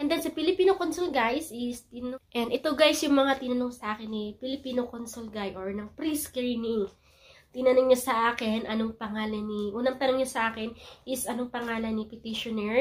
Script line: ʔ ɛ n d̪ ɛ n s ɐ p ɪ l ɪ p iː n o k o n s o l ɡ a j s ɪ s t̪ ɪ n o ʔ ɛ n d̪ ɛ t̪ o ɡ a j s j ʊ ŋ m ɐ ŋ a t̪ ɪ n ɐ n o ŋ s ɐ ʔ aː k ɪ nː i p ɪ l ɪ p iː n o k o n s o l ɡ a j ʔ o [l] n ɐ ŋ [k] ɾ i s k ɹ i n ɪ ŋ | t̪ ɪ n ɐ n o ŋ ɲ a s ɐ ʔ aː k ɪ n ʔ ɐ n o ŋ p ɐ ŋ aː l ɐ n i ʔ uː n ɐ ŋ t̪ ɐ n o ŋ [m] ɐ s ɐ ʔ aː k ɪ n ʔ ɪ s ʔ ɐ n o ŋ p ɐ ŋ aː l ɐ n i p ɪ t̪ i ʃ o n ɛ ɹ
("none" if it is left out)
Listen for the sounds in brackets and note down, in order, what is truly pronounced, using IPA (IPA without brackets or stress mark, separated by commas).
ɹ, p, ɲ